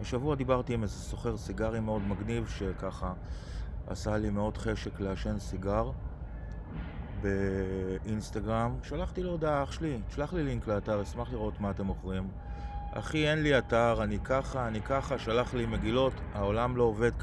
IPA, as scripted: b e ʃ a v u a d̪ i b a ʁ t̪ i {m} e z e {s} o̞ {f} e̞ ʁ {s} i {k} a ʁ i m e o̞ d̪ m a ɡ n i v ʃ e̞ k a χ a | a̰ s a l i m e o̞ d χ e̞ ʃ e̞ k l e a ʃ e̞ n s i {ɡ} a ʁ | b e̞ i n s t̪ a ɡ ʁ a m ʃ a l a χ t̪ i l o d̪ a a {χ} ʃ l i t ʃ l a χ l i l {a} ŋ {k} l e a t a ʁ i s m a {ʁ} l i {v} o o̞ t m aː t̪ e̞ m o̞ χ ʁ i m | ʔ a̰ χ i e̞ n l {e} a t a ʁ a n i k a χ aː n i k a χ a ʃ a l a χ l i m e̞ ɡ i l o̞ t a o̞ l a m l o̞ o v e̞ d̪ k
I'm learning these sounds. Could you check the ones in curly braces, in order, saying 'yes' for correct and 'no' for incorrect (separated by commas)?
yes, yes, no, yes, no, yes, yes, no, yes, no, no, no